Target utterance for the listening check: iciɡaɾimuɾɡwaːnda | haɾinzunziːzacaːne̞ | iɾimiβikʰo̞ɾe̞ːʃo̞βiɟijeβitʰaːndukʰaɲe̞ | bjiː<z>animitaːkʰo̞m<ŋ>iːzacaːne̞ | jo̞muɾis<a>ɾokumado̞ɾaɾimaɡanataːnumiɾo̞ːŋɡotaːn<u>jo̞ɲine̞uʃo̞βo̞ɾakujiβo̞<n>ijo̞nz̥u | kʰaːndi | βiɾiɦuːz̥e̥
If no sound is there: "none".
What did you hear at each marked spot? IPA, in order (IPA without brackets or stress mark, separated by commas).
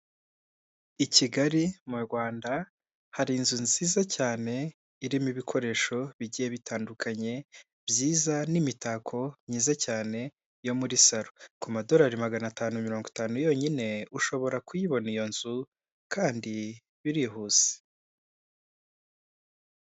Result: z, ɲ, a, u, n